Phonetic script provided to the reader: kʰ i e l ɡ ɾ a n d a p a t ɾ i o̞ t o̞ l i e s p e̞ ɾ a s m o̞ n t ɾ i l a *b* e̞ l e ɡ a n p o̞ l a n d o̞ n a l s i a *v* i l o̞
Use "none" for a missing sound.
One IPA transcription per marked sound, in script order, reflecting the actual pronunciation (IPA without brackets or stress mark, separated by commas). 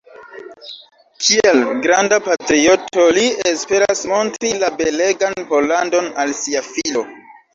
b, f